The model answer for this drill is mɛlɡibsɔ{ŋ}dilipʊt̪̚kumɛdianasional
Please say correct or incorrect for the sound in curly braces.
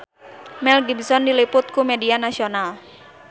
incorrect